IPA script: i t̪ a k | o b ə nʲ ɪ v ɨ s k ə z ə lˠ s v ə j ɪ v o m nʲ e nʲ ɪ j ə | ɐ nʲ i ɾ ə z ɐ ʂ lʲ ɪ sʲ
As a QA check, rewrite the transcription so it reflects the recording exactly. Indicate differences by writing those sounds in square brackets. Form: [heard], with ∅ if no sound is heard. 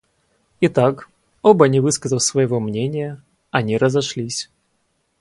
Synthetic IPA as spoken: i t̪ a k | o b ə nʲ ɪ v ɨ s k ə z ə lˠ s v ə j ɪ v o m nʲ e nʲ ɪ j ə | ɐ nʲ i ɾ ə z ɐ ʂ lʲ [i] sʲ